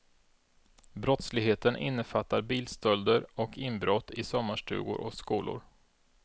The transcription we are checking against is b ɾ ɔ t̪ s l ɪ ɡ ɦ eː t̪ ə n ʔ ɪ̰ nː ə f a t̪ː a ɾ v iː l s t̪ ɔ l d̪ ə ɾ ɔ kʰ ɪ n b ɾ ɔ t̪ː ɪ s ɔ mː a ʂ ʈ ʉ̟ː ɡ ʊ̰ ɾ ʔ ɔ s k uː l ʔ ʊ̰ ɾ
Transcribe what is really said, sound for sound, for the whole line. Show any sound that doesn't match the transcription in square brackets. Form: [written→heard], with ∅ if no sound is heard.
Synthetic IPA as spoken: b ɾ ɔ t̪ s l ɪ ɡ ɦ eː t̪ ə n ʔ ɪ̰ nː ə f a t̪ː a ɾ [v→b] iː l s t̪ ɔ l d̪ ə ɾ ɔ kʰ ɪ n b ɾ ɔ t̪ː ɪ s ɔ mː a ʂ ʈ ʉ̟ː ɡ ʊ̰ ɾ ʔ ɔ s k uː l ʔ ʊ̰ ɾ